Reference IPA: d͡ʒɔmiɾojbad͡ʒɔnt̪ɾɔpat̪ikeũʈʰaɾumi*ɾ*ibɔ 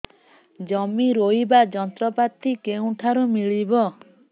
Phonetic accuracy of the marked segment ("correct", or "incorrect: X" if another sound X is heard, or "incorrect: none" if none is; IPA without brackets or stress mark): incorrect: ɭ